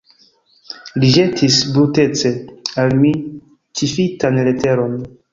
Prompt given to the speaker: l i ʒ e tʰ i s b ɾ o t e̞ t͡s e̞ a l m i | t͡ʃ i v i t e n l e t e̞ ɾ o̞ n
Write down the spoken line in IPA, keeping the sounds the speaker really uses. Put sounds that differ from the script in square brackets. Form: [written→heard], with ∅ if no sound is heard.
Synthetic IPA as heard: l i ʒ e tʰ i s b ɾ [o→u] t e̞ t͡s e̞ a l m i | t͡ʃ i [v→f] i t [e→a] n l e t e̞ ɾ o̞ n